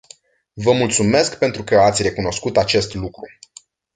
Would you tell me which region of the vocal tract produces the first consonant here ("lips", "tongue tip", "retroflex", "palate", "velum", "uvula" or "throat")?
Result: lips